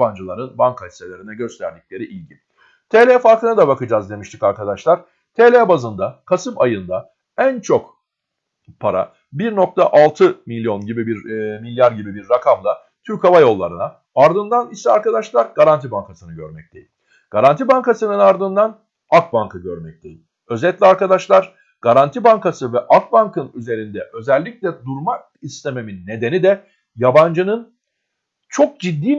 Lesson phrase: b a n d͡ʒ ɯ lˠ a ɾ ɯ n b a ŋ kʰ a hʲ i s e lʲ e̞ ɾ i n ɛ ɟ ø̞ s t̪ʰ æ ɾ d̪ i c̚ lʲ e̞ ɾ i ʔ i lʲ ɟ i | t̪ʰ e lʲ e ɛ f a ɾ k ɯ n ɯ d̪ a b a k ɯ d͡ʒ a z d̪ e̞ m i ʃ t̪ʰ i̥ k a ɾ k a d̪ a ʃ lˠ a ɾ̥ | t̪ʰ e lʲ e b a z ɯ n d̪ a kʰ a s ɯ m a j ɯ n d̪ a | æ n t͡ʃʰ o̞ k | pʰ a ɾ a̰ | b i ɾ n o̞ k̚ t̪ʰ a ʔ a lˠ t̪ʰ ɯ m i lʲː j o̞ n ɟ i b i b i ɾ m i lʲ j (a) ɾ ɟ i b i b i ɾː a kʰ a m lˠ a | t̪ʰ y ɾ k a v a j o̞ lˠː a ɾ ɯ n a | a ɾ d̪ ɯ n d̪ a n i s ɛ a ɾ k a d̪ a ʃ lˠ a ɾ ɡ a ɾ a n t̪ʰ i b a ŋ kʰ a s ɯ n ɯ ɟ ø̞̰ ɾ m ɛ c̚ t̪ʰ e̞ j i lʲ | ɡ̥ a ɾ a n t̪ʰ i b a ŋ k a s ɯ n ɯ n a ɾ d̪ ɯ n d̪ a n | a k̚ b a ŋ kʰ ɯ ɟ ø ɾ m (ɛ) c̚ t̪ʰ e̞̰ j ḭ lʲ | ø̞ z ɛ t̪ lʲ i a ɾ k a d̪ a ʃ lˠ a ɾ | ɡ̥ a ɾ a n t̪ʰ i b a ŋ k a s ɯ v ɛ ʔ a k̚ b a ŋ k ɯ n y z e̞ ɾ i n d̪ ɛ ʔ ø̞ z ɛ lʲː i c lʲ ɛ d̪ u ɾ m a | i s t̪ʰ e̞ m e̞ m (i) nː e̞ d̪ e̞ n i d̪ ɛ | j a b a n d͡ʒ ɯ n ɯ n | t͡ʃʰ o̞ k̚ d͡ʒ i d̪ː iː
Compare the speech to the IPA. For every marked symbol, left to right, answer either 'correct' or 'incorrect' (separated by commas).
correct, correct, correct